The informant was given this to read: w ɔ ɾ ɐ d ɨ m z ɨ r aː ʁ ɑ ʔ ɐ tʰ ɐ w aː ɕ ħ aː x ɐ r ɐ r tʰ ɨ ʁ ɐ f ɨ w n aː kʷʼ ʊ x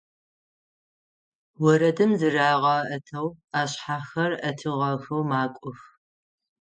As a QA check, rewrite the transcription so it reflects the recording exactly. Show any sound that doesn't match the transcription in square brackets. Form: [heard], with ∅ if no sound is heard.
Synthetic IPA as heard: w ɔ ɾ ɐ d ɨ m z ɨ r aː ʁ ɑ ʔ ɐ tʰ ɐ w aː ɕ ħ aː x ɐ r ɐ [∅] tʰ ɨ ʁ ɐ [x] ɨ w [m] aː kʷʼ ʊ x